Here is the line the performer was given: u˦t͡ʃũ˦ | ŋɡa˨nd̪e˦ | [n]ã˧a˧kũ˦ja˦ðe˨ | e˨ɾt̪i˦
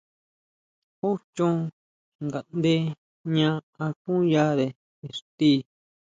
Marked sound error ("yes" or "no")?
yes